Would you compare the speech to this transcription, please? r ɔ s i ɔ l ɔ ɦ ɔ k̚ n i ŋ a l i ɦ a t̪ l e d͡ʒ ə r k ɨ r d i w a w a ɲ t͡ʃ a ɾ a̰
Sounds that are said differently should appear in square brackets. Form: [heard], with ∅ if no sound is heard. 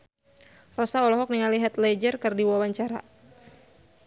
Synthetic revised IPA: r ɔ s [a] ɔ l ɔ ɦ ɔ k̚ n i ŋ a l i ɦ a t̪ l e d͡ʒ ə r k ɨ r d i w a w a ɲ t͡ʃ a ɾ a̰